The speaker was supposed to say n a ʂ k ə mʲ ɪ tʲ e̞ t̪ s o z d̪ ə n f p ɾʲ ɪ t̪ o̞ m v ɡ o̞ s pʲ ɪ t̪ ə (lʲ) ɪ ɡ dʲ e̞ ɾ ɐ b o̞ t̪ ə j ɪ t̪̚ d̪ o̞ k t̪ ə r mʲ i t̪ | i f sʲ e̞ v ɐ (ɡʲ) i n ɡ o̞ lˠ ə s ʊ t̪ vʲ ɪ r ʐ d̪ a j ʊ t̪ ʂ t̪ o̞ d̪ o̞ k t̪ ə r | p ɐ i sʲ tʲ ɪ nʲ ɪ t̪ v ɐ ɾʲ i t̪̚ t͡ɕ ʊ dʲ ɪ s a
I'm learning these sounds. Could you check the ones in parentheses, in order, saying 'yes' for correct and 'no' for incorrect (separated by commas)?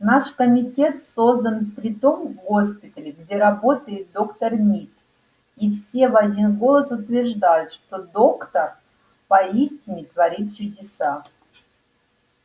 yes, no